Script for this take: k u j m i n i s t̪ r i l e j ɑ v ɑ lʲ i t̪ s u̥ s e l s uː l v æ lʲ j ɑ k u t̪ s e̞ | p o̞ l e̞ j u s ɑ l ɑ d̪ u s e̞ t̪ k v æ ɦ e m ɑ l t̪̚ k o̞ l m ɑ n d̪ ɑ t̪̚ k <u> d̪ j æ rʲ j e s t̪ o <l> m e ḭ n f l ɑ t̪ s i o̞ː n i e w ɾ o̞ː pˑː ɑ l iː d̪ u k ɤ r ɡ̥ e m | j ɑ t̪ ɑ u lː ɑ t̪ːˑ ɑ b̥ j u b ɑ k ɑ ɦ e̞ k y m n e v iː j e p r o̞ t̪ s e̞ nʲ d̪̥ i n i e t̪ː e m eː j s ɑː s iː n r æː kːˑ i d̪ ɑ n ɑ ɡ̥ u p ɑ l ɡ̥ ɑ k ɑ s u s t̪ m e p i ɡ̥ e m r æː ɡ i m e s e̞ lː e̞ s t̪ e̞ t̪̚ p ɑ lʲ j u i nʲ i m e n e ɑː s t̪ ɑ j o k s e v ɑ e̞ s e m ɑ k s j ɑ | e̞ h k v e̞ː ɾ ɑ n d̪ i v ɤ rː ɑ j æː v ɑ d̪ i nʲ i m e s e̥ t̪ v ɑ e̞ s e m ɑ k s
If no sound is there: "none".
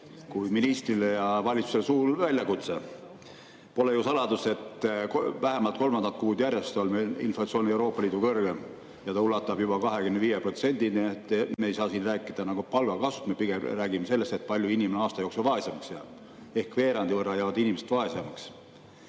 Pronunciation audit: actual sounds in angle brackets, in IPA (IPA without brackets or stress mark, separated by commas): uː, l